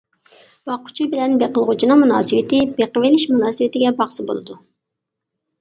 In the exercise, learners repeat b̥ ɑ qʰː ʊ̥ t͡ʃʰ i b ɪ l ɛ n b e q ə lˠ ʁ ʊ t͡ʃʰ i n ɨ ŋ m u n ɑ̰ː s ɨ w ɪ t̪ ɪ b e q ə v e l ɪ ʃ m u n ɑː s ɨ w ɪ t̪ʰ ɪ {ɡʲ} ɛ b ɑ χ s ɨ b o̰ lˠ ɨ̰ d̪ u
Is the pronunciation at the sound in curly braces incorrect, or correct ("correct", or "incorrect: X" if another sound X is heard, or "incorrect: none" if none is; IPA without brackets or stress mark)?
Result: correct